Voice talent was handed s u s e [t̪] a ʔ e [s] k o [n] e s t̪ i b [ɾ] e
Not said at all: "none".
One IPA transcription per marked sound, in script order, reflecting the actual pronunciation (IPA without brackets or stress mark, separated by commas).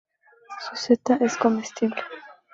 t̪, s, m, l